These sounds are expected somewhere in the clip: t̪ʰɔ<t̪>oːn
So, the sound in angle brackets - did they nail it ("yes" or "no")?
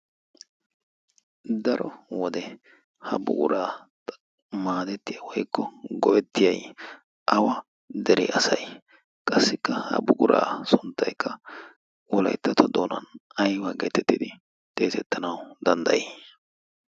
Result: no